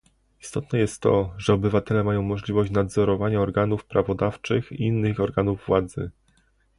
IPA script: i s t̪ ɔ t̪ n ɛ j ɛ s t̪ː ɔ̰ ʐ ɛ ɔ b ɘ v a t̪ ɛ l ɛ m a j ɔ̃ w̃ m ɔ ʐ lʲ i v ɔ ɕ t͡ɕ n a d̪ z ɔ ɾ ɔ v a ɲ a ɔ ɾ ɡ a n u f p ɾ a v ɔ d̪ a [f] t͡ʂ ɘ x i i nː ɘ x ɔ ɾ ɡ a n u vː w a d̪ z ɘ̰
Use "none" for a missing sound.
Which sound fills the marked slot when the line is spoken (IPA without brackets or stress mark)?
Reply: f